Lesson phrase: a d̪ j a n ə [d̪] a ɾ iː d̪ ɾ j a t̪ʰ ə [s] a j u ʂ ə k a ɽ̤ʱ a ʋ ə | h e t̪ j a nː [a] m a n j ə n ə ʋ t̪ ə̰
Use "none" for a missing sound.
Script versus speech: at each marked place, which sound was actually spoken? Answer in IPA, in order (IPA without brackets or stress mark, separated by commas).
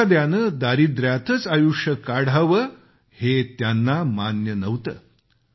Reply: d̪, t͡s, a